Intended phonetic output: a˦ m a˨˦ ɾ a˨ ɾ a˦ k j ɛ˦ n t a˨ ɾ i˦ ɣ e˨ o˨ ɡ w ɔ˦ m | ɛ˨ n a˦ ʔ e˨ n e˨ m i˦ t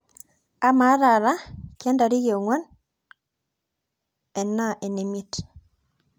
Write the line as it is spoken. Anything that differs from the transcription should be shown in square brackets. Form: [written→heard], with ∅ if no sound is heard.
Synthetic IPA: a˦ m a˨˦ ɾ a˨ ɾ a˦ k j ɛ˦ n [t→d] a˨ ɾ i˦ ɣ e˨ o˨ [ɡ→ŋ] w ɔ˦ [m→n] | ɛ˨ n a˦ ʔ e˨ n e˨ m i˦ t